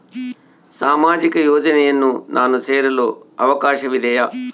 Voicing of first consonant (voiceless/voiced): voiceless